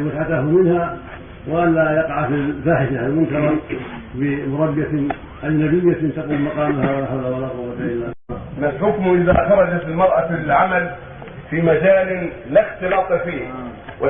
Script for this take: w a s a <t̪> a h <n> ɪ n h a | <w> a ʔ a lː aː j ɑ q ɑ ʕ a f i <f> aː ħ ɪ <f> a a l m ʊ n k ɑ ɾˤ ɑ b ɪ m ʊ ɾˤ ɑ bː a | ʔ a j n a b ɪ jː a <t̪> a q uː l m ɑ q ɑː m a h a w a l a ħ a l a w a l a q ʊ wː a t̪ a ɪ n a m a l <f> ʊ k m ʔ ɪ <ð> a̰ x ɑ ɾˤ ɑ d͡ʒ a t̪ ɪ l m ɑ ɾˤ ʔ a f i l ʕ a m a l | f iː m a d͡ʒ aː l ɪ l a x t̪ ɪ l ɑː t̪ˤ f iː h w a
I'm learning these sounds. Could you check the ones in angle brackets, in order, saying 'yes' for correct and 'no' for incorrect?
yes, no, yes, yes, no, yes, no, yes

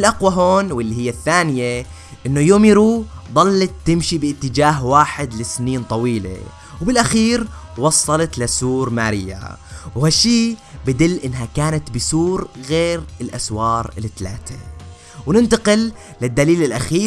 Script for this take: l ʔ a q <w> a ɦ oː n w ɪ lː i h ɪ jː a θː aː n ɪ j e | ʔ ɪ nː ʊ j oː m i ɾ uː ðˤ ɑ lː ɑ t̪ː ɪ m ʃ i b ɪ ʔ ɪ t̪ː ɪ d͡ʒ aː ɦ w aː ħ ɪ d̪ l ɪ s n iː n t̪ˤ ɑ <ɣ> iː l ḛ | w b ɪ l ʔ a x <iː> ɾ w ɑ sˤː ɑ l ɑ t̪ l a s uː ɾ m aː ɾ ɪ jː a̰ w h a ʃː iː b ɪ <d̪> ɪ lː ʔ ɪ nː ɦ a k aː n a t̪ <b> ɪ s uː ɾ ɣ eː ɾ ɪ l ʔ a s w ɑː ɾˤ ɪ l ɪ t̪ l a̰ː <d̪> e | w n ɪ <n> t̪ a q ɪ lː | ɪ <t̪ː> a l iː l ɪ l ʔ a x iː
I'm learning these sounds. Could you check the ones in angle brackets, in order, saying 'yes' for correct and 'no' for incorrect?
yes, no, yes, yes, yes, no, yes, no

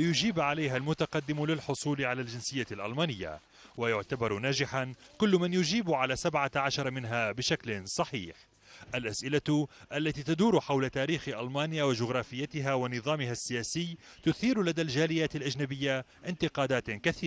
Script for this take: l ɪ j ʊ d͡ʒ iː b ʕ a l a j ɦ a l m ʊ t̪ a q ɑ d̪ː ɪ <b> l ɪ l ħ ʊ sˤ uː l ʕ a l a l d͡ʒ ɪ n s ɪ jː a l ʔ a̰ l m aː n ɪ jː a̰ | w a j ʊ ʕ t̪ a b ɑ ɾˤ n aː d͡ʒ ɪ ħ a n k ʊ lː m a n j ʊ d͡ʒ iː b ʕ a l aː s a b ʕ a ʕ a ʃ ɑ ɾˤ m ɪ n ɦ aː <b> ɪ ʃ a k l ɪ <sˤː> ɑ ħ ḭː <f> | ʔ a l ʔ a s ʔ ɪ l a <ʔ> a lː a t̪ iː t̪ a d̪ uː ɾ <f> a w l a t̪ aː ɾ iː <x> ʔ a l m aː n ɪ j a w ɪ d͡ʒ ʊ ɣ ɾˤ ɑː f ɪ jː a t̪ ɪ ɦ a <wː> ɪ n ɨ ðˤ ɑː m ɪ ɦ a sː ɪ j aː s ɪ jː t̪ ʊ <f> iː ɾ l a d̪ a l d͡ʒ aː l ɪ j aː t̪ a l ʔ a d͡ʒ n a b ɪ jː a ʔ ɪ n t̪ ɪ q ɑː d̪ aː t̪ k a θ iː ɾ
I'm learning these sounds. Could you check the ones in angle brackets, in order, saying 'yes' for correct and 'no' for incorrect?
no, yes, no, no, yes, no, yes, no, no

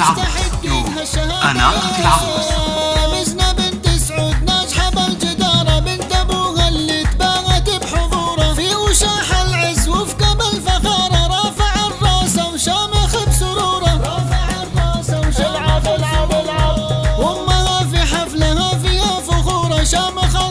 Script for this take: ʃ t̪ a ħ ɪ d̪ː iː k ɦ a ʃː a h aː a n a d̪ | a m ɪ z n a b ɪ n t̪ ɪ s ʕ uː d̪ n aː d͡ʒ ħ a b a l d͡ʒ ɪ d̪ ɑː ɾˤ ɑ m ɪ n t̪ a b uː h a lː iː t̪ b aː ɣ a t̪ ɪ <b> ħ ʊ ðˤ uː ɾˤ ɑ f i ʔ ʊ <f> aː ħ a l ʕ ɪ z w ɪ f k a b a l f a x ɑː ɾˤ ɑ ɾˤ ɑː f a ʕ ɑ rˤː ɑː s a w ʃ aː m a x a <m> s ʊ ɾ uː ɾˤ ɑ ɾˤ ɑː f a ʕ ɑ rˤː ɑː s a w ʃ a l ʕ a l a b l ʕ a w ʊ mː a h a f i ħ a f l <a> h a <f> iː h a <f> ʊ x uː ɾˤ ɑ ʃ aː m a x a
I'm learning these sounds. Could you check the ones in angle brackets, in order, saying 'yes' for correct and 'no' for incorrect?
yes, no, no, yes, yes, yes

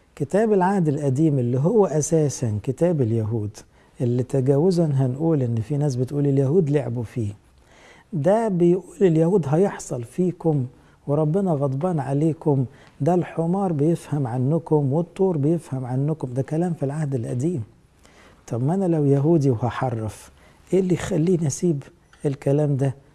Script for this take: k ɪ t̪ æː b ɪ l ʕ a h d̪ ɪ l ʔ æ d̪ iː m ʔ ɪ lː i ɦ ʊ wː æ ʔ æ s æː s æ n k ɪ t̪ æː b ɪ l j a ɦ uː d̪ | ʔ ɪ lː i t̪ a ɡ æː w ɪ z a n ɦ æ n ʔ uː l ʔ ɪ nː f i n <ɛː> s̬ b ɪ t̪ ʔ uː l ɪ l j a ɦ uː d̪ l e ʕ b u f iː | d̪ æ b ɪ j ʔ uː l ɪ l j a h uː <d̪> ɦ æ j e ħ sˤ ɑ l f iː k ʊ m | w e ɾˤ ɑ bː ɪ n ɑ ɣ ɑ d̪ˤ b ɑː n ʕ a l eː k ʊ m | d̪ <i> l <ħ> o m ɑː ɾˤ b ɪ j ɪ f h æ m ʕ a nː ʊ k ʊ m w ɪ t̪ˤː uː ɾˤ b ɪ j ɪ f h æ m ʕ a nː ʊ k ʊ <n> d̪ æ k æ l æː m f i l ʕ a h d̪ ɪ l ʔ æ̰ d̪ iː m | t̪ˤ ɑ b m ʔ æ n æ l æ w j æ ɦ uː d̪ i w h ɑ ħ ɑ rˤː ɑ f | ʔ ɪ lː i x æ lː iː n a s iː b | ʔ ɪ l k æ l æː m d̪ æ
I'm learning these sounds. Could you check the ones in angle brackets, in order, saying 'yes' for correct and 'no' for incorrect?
no, yes, no, yes, no

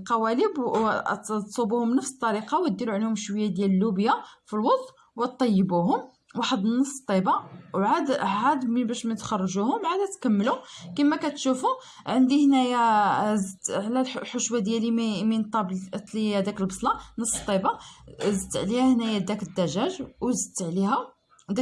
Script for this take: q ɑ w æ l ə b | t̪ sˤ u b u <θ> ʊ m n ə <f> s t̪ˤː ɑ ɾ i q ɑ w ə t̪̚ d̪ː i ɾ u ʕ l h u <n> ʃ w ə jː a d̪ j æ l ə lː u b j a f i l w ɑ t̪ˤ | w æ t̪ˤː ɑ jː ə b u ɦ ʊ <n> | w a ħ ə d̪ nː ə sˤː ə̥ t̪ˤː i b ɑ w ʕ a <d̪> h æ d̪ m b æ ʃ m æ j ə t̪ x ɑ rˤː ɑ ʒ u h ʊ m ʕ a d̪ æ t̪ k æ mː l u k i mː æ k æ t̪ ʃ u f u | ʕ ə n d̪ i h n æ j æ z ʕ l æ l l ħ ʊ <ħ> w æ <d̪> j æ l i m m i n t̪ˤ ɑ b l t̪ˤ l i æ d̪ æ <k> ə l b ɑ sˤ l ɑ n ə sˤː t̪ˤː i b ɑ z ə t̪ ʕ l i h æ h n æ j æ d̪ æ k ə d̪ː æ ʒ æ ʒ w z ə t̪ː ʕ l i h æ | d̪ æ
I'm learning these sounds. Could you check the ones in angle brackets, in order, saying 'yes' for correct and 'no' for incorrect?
no, yes, no, no, yes, no, yes, yes

